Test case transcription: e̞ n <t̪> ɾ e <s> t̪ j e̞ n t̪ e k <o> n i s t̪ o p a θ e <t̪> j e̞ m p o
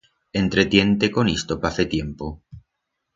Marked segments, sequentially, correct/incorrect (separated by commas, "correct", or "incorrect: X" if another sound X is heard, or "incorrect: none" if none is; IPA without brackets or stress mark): correct, incorrect: none, correct, correct